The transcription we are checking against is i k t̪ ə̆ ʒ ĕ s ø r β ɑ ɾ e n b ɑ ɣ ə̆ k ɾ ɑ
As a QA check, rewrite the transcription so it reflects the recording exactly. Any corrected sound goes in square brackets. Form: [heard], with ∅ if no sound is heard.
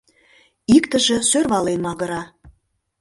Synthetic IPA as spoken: i k t̪ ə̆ ʒ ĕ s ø r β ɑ [l] e n [m] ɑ ɣ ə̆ [∅] ɾ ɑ